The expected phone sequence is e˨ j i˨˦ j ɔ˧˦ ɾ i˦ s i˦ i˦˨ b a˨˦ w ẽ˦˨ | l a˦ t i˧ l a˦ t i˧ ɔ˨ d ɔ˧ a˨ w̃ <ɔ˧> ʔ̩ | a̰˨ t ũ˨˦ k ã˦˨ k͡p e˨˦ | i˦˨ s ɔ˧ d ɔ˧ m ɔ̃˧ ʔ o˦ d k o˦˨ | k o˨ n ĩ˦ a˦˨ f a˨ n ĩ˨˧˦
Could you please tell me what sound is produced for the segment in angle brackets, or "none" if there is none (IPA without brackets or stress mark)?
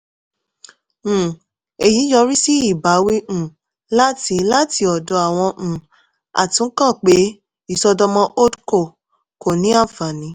ɔ̃˧